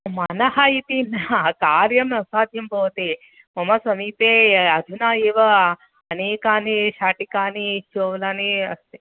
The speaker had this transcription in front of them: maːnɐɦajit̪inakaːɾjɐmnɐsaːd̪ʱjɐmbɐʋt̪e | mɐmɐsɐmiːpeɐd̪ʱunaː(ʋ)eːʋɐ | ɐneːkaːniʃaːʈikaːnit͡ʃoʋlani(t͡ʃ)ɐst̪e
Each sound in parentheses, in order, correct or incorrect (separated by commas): incorrect, incorrect